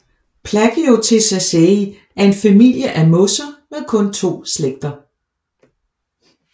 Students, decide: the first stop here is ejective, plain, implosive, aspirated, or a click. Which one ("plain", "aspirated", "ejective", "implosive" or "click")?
aspirated